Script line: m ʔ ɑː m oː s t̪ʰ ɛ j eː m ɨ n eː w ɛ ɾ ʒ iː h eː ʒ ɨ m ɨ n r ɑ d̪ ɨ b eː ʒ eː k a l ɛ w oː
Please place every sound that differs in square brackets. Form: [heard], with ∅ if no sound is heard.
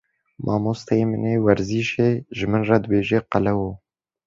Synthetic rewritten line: m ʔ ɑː m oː s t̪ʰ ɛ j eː m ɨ n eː w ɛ ɾ [z] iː [ʃ] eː ʒ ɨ m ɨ n r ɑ d̪ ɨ b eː ʒ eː [q] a l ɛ w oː